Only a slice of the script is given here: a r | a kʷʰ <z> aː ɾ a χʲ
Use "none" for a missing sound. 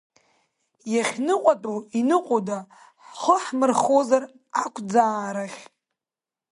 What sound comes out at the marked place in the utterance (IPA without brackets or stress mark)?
d͡z